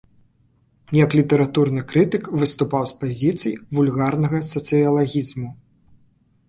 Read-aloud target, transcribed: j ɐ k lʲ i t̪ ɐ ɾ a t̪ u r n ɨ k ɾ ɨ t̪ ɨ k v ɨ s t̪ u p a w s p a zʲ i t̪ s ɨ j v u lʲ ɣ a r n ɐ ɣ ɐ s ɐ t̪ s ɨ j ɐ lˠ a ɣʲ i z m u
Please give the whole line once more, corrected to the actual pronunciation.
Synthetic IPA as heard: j ɐ k lʲ i t̪ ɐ ɾ a t̪ u r n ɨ k ɾ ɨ t̪ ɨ k v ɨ s t̪ u p a w s p a zʲ i t̪ s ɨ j v u lʲ ɣ a r n ɐ ɣ ɐ s ɐ t̪ s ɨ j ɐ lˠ a ɣʲ i z m u